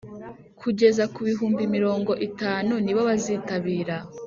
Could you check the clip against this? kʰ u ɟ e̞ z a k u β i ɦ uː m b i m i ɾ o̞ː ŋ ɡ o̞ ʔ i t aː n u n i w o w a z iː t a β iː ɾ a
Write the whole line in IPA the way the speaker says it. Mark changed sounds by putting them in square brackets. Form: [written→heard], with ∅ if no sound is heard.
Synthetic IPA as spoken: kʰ u ɟ e̞ z a k u β i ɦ uː m b i m i ɾ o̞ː ŋ ɡ o̞ ʔ i t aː n u n i [w→β] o [w→β] a z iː t a β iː ɾ a